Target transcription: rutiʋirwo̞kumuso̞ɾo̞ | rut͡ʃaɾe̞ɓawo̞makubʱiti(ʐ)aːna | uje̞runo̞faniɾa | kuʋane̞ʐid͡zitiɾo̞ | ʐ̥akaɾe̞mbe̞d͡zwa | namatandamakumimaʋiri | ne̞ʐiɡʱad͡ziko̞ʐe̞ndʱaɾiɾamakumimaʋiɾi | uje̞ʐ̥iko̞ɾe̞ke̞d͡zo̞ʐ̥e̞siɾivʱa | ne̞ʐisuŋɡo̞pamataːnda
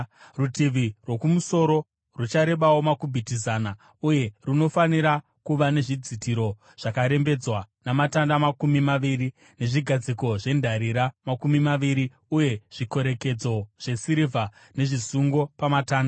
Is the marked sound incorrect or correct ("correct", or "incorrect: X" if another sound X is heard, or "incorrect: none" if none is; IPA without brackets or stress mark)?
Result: incorrect: z